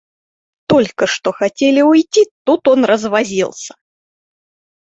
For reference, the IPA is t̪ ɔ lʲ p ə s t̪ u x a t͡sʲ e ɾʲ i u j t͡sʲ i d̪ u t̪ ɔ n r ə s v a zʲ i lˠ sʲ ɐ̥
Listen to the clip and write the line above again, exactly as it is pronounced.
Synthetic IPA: t̪ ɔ lʲ k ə ʂ t̪ ɔ x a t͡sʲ e lʲ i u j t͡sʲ i t̪ u t̪ ɔ n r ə z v a zʲ i lˠ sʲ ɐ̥